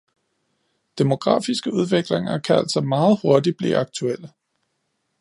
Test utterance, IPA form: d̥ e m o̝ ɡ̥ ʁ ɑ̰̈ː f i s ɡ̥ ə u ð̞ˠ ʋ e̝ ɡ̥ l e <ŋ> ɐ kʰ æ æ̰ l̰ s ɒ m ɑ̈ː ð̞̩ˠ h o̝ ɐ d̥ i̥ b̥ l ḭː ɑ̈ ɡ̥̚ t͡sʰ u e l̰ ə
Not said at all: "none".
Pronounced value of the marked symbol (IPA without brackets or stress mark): ŋ